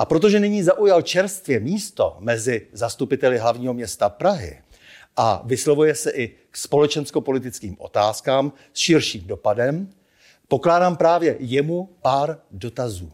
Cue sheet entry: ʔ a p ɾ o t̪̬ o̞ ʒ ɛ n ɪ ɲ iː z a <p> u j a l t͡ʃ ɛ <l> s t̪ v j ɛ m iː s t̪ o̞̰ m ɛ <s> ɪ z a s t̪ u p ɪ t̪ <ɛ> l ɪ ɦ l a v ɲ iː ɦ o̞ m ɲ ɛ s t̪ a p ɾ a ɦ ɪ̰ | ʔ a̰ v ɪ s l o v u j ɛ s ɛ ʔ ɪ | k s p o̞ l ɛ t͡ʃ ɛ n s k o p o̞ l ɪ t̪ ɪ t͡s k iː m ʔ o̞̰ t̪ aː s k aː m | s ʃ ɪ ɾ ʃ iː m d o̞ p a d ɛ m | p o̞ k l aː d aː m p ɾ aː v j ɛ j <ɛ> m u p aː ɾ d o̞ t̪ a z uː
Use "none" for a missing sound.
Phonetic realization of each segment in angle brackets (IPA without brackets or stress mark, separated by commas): ʔ, ɾ, z, ɛ, ɛ